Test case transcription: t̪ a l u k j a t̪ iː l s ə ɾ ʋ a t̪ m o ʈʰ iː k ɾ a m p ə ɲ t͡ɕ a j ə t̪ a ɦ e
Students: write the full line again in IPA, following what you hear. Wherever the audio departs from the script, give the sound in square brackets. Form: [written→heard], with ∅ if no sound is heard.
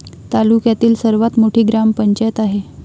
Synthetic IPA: t̪ a l u k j a t̪ iː l s ə ɾ ʋ a t̪ m o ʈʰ iː [k→ɡ] ɾ a m p ə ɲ t͡ɕ a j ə t̪ a ɦ e